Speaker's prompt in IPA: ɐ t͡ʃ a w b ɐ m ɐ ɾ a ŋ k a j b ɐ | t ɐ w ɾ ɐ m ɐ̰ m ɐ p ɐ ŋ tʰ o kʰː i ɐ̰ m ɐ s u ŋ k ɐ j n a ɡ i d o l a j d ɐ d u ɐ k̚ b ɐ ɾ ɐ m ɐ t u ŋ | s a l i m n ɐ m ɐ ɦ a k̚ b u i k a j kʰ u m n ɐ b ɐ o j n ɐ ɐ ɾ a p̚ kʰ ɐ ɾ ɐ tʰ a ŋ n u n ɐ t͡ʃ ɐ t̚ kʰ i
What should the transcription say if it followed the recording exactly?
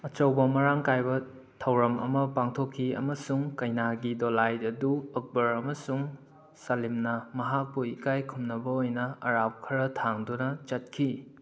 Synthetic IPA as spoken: ɐ t͡ʃ ɐ w b ɐ m ɐ ɾ a ŋ k a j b ɐ | tʰ ɐ w ɾ ɐ m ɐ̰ m ɐ p a ŋ tʰ o kʰː i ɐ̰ m ɐ s u ŋ k ɐ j n a ɡ i d o l a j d ɐ d u ɐ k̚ b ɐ ɾ ɐ m ɐ s u ŋ | s a l i m n ɐ m ɐ ɦ a k̚ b u i k a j kʰ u m n ɐ b ɐ o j n ɐ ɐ ɾ a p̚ kʰ ɐ ɾ ɐ tʰ a ŋ d u n ɐ t͡ʃ ɐ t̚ kʰ i